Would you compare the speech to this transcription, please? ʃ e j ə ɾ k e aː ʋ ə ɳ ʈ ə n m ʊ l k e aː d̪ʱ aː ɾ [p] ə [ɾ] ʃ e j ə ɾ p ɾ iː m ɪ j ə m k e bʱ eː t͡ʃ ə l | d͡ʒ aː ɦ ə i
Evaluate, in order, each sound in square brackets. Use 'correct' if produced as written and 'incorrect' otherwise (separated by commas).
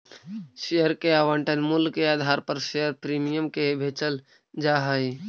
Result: correct, correct